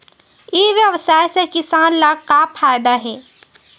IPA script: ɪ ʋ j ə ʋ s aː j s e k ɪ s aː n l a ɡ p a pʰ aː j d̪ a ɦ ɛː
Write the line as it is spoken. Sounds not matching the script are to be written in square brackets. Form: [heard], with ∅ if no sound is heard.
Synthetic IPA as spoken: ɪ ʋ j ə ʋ s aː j s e k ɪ s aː n l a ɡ [k] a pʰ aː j d̪ a ɦ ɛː